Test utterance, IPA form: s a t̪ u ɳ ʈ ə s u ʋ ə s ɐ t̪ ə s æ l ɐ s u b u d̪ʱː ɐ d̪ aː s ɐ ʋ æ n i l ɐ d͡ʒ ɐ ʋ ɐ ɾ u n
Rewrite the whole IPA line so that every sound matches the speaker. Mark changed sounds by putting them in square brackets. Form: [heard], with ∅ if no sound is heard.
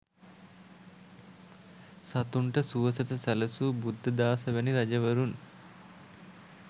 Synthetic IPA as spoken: s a t̪ u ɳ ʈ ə s u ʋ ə s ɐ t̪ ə s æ l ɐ s u b u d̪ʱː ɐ d̪ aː s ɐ ʋ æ n i [ɾ] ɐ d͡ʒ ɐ ʋ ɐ ɾ u n